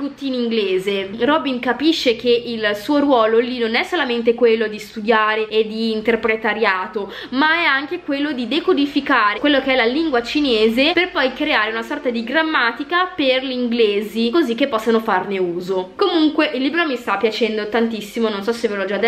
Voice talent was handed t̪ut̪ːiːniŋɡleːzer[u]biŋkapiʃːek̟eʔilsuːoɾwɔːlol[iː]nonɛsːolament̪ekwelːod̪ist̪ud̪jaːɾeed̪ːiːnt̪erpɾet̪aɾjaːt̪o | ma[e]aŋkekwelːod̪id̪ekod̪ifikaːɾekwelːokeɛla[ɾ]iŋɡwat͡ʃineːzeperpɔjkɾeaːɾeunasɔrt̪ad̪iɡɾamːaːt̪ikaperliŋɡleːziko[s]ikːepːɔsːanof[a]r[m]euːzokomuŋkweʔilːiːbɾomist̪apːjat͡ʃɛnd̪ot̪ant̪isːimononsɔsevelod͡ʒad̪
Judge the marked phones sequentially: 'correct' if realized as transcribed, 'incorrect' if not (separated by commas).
incorrect, incorrect, incorrect, incorrect, incorrect, correct, incorrect